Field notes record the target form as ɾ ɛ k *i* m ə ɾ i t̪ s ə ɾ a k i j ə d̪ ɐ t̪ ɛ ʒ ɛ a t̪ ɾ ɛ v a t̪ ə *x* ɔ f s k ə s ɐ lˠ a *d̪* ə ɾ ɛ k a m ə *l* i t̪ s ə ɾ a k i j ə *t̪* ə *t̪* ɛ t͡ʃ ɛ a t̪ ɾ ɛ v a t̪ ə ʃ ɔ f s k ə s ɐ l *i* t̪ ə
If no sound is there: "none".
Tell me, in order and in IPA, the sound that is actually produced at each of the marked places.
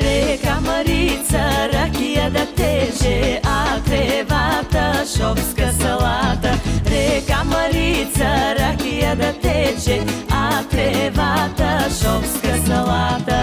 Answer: a, ʃ, t̪, ɾ, d̪, t̪, a

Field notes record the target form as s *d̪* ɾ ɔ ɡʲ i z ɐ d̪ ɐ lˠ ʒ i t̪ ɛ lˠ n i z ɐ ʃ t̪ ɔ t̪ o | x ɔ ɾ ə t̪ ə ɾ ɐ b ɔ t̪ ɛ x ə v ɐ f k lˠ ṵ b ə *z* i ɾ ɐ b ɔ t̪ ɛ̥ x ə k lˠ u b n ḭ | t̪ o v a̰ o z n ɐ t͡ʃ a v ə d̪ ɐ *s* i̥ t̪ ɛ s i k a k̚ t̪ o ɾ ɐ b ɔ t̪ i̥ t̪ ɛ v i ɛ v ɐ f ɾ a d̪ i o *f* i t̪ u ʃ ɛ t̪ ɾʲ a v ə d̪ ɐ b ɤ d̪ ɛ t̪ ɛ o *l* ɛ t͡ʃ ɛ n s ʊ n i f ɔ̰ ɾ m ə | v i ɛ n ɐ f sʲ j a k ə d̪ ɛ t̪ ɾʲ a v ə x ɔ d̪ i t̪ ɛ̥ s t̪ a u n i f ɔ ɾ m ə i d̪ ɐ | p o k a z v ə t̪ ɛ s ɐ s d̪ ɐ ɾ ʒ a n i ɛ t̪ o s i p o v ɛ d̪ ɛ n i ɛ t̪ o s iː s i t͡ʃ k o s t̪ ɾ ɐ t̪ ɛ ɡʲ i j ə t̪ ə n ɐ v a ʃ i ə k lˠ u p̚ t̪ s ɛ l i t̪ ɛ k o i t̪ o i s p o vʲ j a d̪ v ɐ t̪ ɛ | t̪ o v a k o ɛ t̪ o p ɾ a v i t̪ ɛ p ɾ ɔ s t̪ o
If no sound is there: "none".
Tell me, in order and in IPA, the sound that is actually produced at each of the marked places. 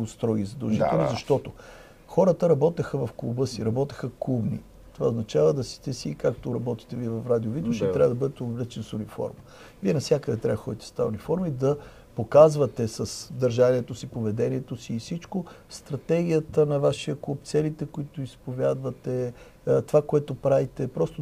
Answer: t̪, s, s, v, l

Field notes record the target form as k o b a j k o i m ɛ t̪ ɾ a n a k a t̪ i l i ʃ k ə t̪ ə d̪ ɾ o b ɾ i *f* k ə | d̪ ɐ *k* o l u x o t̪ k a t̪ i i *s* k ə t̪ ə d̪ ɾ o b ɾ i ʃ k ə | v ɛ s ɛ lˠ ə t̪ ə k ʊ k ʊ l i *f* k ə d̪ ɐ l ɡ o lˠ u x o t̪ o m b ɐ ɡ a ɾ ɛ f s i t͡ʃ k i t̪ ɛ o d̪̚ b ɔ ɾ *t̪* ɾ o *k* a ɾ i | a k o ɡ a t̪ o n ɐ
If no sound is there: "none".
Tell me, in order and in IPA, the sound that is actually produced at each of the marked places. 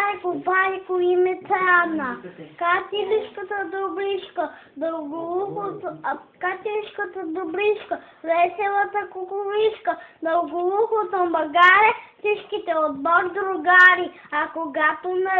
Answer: ʃ, ɡ, ʃ, ʃ, d̪, ɡ

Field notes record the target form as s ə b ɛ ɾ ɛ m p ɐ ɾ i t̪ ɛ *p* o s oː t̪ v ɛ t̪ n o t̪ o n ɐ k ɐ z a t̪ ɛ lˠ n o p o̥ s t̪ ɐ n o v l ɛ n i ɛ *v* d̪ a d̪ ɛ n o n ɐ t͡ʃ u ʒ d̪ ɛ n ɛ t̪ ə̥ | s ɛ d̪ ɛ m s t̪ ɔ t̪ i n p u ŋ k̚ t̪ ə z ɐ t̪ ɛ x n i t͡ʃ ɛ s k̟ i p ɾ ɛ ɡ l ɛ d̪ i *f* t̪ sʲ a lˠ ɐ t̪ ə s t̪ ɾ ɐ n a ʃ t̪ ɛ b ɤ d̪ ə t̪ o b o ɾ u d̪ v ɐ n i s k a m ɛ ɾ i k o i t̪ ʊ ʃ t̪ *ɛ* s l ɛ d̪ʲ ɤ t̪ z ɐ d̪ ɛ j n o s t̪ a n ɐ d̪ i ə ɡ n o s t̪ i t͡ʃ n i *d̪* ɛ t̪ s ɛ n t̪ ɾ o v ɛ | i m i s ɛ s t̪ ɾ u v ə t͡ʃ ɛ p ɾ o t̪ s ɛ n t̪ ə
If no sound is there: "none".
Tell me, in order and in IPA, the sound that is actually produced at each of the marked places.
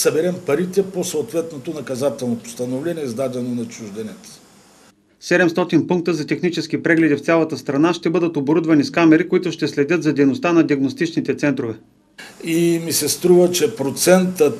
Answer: p, z, f, ɛ, t̪

